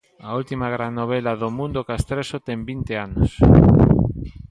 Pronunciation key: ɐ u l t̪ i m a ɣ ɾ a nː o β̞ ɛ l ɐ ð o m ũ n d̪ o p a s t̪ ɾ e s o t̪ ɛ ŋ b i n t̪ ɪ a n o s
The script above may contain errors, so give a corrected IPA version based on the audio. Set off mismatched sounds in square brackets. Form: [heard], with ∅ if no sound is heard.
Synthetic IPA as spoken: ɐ u l t̪ i m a ɣ ɾ a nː o β̞ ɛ l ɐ ð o m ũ n d̪ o [k] a s t̪ ɾ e s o t̪ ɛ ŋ b i n t̪ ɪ a n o s

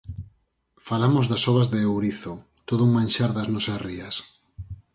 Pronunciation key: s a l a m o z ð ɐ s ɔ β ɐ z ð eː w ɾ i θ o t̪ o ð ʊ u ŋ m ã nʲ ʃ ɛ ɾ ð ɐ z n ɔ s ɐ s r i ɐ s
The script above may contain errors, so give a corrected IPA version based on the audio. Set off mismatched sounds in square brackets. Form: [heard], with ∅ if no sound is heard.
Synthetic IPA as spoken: [f] a l a m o z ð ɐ s ɔ β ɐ z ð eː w ɾ i θ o t̪ o ð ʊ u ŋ m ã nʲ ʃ [a] ɾ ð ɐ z n ɔ s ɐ s r i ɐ s

